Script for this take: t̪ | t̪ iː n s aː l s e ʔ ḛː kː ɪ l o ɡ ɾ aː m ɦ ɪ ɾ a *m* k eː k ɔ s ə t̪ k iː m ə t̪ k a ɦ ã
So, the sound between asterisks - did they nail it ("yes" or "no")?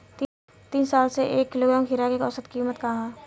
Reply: no